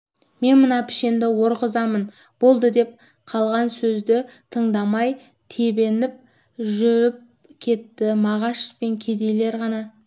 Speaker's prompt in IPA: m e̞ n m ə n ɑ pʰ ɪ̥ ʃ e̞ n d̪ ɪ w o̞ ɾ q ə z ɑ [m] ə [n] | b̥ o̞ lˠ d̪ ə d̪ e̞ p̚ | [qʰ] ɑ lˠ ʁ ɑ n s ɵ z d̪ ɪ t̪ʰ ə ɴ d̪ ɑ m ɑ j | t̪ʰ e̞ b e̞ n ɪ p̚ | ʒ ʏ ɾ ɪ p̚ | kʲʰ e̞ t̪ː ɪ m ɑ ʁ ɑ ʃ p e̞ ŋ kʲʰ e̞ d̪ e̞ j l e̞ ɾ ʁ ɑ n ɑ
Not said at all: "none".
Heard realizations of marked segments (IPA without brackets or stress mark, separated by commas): m, n, qʰ